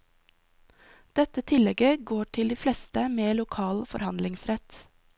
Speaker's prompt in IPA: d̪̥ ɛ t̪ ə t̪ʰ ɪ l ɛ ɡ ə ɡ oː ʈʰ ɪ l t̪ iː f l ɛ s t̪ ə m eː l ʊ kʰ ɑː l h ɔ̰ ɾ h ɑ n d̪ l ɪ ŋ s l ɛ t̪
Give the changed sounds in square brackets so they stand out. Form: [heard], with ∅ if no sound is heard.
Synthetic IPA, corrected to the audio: d̪̥ ɛ t̪ ə t̪ʰ ɪ l ɛ ɡ ə ɡ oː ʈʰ ɪ l [d̪] iː f l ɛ s t̪ ə m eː l ʊ kʰ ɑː l [f] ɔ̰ ɾ h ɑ n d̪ l ɪ ŋ s [ɾ] ɛ t̪